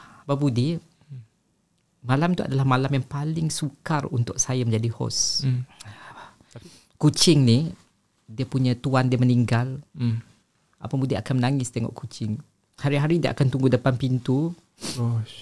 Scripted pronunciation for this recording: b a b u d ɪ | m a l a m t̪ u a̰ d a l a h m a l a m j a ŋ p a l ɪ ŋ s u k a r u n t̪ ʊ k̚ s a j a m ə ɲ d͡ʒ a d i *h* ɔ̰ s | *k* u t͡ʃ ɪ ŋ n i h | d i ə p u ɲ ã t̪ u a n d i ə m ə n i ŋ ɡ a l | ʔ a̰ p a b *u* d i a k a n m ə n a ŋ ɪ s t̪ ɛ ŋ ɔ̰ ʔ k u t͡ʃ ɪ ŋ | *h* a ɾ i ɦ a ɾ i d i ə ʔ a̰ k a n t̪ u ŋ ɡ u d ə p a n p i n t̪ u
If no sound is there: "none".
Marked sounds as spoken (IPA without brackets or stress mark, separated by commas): h, k, u, h